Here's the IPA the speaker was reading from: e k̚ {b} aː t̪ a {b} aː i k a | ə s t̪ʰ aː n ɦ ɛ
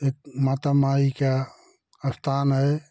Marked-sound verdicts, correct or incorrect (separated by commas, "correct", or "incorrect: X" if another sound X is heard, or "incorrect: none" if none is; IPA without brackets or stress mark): incorrect: m, incorrect: m